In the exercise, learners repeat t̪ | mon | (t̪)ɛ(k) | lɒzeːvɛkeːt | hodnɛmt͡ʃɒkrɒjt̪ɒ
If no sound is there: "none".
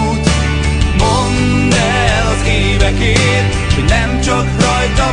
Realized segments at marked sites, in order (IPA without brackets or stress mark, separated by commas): d̪, none